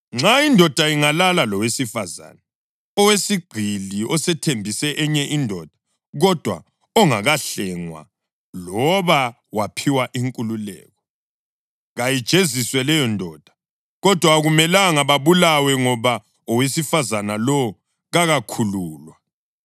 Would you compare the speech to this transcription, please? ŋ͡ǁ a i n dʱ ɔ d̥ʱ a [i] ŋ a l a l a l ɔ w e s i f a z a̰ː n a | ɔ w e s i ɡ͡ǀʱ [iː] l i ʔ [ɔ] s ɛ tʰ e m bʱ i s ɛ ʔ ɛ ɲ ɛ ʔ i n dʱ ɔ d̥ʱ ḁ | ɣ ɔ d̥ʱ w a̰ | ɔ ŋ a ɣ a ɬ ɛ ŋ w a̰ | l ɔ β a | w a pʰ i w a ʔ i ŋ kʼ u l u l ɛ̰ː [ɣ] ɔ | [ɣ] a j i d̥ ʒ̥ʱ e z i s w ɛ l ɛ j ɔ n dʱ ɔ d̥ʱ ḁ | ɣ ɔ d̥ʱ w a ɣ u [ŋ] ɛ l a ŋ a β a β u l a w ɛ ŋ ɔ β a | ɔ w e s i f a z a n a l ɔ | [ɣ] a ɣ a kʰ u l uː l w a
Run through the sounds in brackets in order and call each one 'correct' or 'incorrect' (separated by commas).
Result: correct, incorrect, correct, correct, correct, incorrect, correct